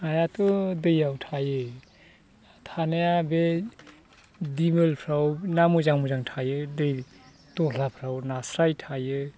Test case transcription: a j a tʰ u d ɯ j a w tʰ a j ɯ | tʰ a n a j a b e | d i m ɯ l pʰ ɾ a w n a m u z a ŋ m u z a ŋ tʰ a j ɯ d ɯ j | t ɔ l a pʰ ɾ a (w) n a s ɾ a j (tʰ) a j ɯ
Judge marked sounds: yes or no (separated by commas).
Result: yes, yes